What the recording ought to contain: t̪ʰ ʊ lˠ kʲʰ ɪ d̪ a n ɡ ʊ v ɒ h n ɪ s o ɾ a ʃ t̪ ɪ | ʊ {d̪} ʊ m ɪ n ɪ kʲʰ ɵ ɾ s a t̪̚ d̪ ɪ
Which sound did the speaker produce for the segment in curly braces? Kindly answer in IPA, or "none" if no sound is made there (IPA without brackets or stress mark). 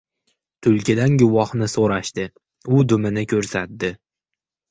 d̪